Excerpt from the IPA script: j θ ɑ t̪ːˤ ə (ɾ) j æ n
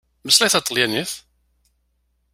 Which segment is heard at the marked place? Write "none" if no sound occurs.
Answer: l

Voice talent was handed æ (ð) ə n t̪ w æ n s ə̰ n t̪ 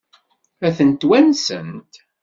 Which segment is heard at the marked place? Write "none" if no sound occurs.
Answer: θ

